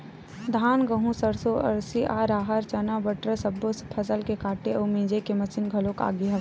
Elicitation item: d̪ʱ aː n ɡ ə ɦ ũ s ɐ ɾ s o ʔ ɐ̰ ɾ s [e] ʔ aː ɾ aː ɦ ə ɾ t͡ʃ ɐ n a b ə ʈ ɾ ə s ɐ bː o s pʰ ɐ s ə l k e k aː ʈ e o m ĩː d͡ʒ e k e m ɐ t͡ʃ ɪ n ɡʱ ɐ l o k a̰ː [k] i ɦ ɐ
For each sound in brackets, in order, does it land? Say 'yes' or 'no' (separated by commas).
no, no